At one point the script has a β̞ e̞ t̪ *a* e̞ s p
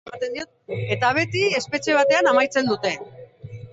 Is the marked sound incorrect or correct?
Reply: incorrect